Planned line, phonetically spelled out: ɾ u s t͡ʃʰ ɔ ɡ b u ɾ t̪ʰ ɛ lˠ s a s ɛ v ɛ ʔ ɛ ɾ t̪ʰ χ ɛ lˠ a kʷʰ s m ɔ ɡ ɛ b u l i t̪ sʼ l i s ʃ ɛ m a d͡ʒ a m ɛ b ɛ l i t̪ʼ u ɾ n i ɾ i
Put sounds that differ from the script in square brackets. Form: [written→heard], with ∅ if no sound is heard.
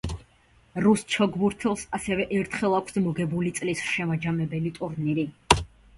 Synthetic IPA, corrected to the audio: ɾ u s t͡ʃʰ ɔ ɡ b u ɾ t̪ʰ ɛ lˠ s a s ɛ v ɛ ʔ ɛ ɾ t̪ʰ χ ɛ lˠ a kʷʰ s m ɔ ɡ ɛ b u l i t̪ sʼ l i s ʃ ɛ m a d͡ʒ a m ɛ b ɛ l i t̪ʼ u ɾ n i ɾ i